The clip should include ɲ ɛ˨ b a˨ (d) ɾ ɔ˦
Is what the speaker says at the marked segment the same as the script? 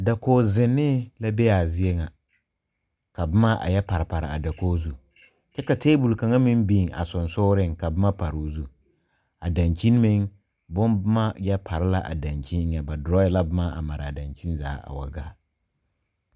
yes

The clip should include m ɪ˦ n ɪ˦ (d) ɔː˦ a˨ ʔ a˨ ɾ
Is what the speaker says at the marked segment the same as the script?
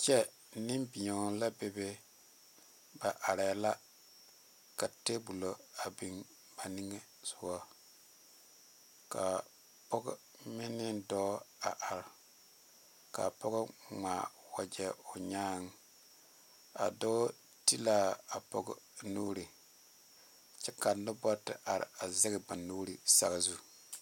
yes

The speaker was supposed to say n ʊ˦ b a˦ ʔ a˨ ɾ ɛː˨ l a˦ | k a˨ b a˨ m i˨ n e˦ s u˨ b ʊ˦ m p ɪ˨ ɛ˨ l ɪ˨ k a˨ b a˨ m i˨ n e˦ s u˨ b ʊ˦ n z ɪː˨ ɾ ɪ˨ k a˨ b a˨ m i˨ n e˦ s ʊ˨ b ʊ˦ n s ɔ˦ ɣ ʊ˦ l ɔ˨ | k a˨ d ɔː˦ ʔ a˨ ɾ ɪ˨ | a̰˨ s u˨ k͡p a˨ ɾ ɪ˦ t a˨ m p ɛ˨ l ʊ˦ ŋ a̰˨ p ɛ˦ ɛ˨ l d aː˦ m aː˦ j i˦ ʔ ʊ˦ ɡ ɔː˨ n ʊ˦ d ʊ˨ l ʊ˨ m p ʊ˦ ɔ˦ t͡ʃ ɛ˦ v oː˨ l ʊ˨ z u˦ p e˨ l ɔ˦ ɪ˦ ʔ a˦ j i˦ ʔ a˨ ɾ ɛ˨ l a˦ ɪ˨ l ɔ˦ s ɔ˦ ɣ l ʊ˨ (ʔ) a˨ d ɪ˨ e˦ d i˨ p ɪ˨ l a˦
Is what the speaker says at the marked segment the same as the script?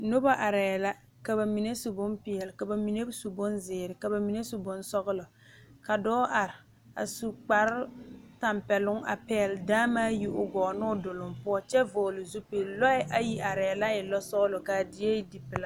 no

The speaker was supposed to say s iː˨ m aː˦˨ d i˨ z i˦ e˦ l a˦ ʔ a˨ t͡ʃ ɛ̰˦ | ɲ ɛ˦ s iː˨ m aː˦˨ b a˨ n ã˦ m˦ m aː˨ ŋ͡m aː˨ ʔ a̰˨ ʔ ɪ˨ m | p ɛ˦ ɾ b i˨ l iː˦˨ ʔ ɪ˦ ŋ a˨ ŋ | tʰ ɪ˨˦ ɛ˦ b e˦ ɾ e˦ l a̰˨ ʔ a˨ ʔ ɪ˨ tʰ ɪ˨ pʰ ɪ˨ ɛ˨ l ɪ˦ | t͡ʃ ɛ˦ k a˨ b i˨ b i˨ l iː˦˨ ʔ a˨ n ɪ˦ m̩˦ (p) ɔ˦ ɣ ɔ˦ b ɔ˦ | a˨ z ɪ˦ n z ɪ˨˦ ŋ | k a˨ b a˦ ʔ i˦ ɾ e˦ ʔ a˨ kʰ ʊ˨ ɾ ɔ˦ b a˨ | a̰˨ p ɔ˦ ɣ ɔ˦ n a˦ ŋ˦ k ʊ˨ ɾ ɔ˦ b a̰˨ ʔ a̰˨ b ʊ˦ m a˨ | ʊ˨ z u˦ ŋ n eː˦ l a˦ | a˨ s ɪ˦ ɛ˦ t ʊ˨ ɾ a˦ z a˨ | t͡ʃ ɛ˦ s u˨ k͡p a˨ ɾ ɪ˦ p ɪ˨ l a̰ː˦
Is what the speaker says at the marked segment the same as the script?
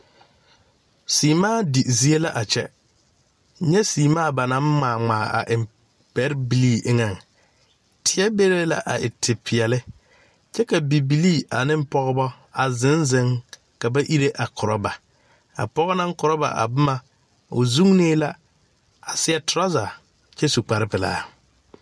yes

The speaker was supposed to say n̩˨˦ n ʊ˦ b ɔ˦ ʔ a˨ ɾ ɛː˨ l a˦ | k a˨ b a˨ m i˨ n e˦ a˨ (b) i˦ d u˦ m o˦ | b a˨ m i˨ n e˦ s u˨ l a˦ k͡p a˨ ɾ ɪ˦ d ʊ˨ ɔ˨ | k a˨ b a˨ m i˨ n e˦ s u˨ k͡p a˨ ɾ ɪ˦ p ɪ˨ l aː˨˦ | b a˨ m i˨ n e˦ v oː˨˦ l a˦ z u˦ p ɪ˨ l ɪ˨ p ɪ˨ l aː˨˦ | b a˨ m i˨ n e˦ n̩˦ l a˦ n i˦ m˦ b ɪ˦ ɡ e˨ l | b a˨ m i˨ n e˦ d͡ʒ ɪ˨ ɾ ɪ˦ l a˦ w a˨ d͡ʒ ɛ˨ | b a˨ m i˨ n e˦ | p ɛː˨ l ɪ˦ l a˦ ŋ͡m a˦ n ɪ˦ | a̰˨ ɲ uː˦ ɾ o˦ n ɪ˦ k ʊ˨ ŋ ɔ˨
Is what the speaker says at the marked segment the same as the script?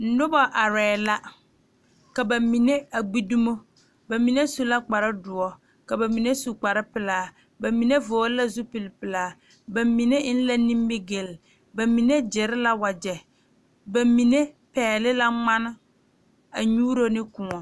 no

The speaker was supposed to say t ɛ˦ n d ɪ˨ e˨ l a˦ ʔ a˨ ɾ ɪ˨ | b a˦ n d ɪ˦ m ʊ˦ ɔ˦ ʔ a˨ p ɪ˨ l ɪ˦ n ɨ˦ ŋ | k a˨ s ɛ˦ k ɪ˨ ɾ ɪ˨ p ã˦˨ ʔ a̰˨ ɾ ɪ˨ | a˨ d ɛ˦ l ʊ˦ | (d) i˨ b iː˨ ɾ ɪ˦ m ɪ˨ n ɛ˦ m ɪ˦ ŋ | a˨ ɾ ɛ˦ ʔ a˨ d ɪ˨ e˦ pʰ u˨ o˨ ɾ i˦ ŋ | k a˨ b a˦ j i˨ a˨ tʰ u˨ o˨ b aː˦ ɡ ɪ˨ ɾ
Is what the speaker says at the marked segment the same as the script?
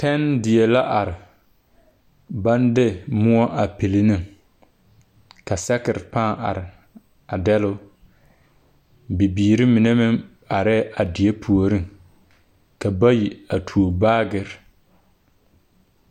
no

